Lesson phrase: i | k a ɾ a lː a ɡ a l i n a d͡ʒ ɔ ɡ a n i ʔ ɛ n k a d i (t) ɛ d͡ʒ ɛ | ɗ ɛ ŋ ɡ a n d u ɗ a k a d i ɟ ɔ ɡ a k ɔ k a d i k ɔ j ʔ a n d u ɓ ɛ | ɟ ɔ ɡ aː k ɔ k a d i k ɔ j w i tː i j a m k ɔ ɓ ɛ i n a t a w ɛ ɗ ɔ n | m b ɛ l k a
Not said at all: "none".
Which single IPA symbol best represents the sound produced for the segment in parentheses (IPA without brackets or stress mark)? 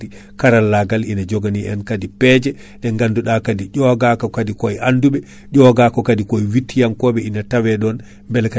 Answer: p